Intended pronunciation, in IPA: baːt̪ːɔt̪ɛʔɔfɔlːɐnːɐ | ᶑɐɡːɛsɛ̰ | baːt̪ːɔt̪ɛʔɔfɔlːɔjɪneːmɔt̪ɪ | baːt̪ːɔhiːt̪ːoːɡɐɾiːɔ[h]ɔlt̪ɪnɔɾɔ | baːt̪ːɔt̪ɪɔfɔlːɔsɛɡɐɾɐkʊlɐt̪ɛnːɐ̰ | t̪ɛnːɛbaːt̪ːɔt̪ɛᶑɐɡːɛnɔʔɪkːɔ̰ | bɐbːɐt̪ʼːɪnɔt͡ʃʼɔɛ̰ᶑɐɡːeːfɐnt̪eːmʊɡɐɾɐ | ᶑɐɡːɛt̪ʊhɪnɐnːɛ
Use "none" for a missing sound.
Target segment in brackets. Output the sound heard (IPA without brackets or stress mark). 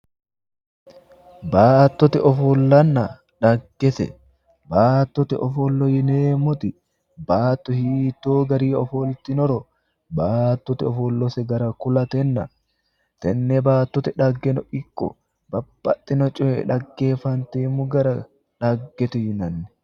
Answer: f